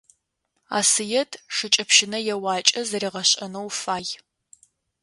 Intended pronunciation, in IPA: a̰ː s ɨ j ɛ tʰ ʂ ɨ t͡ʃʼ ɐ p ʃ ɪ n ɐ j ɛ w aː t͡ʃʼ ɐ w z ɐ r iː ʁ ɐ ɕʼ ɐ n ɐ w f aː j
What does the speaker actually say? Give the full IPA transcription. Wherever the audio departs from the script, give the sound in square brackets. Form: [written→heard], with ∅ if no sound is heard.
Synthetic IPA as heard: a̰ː s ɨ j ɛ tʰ ʂ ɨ t͡ʃʼ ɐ p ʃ ɪ n ɐ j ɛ w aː t͡ʃʼ ɐ [w→∅] z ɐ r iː ʁ ɐ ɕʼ ɐ n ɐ w f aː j